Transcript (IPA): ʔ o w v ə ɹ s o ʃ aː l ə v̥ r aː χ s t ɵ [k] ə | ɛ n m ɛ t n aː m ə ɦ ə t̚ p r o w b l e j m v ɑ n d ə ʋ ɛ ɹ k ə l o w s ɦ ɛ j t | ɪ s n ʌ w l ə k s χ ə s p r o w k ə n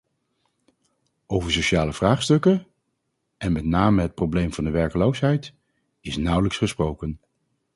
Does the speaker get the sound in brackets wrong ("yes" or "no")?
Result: no